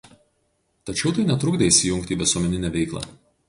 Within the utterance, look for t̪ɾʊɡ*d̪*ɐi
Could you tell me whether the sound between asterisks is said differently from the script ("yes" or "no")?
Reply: no